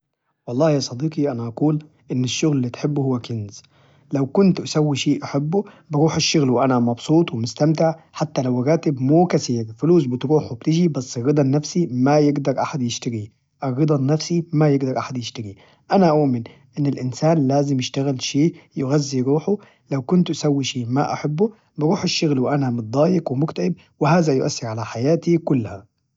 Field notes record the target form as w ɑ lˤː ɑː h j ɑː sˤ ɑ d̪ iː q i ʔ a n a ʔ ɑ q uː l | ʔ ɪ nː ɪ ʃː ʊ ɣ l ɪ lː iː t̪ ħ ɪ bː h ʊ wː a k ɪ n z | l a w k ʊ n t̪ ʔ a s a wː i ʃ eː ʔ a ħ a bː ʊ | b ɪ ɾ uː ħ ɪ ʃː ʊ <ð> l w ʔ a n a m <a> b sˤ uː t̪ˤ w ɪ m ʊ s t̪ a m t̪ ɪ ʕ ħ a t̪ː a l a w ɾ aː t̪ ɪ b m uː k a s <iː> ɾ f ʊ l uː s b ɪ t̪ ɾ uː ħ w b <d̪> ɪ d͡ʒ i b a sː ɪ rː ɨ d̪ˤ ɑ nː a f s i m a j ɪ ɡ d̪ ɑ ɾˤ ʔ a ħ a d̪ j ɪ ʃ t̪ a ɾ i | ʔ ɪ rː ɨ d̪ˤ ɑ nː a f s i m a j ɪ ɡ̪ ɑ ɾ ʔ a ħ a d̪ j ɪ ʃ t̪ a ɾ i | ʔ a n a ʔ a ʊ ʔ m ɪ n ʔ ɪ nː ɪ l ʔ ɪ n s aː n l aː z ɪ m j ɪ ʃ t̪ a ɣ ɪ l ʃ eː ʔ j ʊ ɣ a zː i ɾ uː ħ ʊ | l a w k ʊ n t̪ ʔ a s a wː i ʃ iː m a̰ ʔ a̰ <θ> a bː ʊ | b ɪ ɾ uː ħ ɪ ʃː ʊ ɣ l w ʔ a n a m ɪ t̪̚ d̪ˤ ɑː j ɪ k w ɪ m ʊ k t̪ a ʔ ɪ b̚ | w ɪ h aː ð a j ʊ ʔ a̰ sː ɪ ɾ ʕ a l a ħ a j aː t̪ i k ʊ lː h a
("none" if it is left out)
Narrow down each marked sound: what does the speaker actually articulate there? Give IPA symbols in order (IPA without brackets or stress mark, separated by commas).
ɣ, ɑ, iː, t̪, ħ